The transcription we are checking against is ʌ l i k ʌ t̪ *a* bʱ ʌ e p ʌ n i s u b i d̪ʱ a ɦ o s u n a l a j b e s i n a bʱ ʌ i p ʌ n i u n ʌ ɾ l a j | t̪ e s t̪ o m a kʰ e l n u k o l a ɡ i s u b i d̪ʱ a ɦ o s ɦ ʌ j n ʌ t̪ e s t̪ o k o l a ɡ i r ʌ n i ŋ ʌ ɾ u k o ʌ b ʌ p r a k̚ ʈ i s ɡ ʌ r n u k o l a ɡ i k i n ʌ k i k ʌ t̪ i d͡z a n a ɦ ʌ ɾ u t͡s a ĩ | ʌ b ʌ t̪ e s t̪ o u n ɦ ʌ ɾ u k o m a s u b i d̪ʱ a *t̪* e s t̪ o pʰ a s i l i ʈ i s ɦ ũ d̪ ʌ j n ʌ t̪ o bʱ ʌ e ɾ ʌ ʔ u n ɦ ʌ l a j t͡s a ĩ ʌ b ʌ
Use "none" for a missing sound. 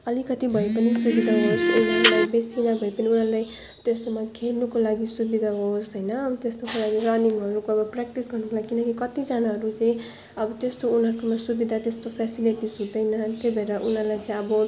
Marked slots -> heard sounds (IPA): i, t̪

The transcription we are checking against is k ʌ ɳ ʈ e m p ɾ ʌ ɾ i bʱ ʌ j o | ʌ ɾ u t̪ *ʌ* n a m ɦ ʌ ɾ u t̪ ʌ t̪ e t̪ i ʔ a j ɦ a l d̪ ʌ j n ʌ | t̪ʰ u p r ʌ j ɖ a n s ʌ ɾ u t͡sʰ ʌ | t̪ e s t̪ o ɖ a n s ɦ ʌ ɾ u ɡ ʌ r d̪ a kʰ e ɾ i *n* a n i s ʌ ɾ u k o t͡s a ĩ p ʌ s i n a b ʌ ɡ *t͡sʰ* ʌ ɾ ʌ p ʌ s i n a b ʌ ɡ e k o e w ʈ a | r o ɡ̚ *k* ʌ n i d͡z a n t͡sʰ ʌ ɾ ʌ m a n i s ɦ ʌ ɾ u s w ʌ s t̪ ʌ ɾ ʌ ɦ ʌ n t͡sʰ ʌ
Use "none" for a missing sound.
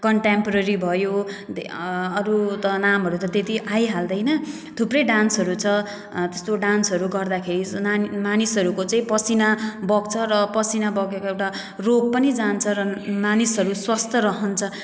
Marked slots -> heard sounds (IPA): ʌ, m, t͡sʰ, p

